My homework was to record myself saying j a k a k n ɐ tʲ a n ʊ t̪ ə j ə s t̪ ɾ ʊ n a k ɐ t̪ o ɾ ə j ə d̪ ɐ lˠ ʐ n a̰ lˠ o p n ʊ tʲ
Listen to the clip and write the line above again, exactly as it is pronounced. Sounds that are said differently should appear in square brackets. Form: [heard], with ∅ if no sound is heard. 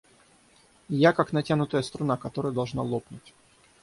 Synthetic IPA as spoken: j a k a k n ɐ tʲ a n ʊ t̪ ə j ə s t̪ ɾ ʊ n a k ɐ t̪ o ɾ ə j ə d̪ ɐ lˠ ʐ n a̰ lˠ o p n ʊ tʲ